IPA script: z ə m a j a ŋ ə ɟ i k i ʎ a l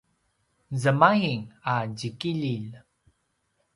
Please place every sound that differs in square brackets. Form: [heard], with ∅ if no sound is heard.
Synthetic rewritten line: z ə m a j [i] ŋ [a] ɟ i k i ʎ [i] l